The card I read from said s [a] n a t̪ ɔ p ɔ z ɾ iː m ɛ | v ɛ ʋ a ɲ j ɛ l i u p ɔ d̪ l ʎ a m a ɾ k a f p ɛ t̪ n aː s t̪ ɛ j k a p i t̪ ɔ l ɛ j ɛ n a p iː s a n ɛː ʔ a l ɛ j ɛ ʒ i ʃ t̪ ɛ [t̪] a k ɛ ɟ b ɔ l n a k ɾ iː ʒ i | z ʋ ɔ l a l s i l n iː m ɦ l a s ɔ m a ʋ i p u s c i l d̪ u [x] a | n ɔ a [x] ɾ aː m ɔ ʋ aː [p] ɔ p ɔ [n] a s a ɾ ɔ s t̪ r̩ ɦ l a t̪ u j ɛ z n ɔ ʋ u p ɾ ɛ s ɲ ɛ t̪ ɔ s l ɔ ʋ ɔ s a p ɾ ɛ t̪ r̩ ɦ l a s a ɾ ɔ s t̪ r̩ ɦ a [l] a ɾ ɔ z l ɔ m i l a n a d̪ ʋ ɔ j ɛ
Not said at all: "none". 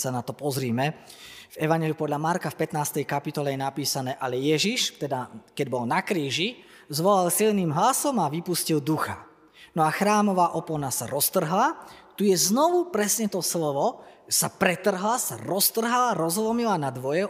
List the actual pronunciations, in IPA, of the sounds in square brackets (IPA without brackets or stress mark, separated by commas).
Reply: a, d̪, x, x, ʔ, n, l